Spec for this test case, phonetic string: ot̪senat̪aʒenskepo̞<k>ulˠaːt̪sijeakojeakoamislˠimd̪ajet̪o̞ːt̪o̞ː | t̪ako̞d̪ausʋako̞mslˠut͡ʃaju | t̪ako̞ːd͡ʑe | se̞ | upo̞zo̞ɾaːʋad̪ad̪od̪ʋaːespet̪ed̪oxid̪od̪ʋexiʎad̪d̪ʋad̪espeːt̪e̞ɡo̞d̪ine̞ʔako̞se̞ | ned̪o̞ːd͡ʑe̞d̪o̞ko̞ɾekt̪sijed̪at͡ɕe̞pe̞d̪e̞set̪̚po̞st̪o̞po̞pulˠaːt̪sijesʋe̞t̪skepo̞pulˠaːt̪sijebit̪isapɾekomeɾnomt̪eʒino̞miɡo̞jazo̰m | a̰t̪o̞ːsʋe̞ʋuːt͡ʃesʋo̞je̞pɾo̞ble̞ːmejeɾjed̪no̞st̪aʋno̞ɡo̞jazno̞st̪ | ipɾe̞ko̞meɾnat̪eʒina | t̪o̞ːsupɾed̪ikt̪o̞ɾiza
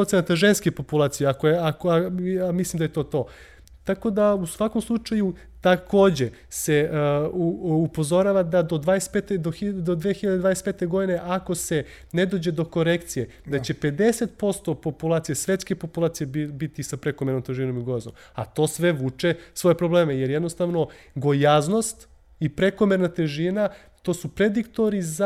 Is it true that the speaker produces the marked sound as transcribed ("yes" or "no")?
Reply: no